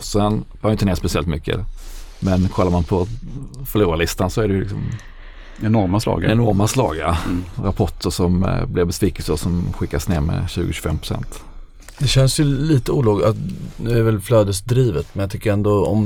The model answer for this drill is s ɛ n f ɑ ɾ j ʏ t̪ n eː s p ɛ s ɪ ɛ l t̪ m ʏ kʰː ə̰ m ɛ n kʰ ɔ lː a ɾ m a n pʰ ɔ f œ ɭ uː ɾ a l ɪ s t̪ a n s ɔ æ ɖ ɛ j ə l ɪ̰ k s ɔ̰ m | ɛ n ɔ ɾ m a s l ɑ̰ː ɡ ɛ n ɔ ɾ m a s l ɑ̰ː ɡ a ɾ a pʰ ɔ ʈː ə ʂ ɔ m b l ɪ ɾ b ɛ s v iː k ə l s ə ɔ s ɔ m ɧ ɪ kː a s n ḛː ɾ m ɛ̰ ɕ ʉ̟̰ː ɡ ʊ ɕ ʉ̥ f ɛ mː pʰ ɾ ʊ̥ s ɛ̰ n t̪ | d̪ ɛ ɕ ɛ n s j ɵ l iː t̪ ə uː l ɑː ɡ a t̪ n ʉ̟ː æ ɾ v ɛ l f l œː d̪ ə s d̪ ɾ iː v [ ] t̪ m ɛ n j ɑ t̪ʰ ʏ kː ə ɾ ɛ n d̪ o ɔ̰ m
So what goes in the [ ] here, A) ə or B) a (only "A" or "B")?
A